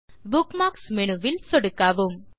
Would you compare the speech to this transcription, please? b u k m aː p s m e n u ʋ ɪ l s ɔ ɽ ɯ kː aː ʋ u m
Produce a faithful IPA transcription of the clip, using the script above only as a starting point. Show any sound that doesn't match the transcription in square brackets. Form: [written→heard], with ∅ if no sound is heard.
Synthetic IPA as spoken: b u k m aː [p→k] s m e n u ʋ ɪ l s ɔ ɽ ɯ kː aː ʋ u m